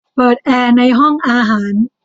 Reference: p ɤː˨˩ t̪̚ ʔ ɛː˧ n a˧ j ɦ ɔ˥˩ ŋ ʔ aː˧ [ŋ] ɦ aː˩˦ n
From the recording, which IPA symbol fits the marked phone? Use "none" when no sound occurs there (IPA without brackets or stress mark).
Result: none